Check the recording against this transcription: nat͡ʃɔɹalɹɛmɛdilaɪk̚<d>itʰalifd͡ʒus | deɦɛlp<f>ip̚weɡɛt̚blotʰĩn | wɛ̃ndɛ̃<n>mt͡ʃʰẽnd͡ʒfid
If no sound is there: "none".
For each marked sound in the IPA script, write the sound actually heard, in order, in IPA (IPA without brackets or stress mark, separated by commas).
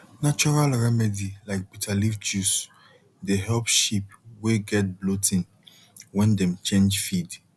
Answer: b, ʃ, none